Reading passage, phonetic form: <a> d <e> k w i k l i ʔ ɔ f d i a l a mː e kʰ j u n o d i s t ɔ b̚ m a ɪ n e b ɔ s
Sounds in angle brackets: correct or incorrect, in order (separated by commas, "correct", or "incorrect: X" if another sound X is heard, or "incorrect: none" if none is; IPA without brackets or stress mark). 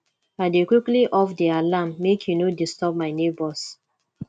correct, correct